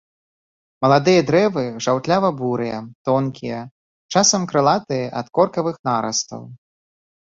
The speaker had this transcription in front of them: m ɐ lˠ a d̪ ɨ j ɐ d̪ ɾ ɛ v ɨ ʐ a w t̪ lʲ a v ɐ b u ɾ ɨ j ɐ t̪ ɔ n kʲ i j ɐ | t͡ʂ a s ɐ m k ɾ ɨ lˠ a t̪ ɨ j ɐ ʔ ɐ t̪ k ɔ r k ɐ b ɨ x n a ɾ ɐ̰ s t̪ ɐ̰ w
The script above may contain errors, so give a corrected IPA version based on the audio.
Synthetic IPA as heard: m ɐ lˠ a d̪ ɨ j ɐ d̪ ɾ ɛ v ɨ ʐ a w t̪ lʲ a v ɐ b u ɾ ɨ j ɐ t̪ ɔ n kʲ i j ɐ | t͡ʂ a s ɐ m k ɾ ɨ lˠ a t̪ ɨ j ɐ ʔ ɐ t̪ k ɔ r k ɐ v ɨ x n a ɾ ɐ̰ s t̪ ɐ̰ w